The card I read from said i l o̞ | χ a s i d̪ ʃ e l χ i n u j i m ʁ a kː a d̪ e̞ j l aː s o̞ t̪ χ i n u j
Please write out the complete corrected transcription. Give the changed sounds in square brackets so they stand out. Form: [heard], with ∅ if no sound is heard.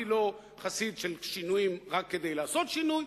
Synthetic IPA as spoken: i l o̞ | χ a s i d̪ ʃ e l [ʃ] i n u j i m ʁ a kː [e] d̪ e̞ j l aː s o̞ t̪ [ʃ] i n u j